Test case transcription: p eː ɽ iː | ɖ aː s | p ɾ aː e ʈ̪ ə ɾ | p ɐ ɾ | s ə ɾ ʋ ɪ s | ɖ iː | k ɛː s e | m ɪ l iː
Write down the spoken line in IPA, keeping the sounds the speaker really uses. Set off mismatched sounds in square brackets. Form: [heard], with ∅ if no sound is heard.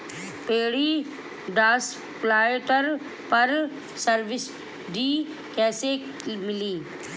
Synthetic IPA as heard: p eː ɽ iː | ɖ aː s | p [l] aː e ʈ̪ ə ɾ | p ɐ ɾ | s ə ɾ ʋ ɪ s | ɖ iː | k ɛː s e | m ɪ l iː